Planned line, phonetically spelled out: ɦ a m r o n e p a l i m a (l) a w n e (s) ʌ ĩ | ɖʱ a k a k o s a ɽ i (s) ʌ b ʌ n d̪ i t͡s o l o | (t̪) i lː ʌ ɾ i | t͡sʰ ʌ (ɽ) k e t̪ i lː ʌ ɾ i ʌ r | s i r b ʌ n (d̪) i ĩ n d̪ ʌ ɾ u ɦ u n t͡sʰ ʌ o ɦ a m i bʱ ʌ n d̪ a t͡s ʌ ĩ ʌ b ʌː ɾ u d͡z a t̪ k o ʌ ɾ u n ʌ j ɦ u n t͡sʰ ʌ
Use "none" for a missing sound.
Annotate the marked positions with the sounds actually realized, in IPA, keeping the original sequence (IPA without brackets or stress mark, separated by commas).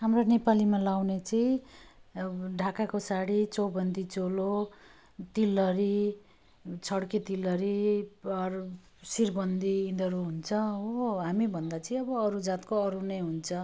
l, t͡s, t͡s, t̪, ɽ, d̪